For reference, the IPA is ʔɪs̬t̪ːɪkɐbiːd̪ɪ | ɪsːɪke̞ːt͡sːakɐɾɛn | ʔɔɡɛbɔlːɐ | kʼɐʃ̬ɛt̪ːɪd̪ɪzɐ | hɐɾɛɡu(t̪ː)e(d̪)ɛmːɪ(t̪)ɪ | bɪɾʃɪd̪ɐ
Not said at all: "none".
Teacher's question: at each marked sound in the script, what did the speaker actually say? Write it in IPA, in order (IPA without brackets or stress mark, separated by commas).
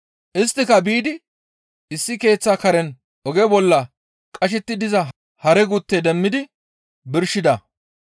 t̪ː, d̪, d̪